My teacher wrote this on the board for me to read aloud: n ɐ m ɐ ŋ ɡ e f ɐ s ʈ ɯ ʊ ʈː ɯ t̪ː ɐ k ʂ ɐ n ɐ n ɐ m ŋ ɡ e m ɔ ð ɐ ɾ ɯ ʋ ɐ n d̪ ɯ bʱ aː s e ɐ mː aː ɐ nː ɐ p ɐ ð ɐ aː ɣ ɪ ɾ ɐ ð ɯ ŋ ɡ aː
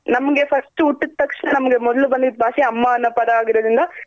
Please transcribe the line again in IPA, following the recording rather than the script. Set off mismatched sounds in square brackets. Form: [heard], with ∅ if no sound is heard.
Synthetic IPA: n ɐ m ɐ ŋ ɡ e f ɐ s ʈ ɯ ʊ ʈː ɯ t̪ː ɐ k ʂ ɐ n ɐ n ɐ m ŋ ɡ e m ɔ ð ɐ [l] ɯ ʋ ɐ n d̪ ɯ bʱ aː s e ɐ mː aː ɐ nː ɐ p ɐ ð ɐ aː ɣ ɪ ɾ ɐ ð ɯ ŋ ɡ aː